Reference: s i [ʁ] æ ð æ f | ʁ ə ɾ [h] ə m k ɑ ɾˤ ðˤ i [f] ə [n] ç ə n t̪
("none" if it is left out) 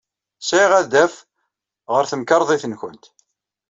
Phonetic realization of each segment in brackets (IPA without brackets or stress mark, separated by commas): ʁ, θ, θ, n